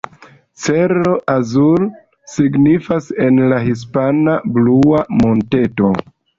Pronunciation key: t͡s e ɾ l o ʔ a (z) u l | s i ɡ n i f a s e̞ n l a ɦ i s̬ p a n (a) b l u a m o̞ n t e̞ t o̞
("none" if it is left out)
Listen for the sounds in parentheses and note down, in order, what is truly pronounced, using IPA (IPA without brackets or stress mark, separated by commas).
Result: z, a